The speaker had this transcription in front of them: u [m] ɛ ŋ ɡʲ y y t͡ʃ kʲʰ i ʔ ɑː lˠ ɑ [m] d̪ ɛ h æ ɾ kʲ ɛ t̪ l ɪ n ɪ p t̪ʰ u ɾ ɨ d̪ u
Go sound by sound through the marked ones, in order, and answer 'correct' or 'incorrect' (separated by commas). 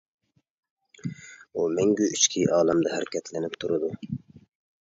correct, correct